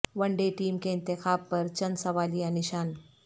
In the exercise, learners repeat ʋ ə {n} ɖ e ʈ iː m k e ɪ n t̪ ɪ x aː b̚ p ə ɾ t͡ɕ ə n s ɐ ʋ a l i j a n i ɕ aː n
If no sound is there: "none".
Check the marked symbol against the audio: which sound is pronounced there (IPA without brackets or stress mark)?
ɳ